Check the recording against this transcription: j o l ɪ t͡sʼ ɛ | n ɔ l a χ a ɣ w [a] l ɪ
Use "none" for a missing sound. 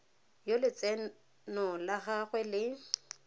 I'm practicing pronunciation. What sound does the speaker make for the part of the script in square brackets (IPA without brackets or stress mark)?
ɛ